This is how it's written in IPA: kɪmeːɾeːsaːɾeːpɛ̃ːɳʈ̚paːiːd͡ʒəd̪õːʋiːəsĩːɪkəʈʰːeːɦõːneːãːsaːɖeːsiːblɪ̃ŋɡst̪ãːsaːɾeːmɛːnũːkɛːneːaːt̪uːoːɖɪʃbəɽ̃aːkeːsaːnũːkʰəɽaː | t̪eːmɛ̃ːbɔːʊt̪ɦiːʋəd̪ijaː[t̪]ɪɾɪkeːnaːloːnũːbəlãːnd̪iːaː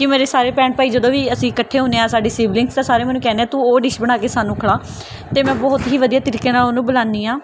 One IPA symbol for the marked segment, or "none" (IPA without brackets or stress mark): t̪